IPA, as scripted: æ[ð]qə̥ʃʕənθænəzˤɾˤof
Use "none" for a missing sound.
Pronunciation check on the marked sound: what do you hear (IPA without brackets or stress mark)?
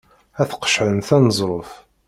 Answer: θ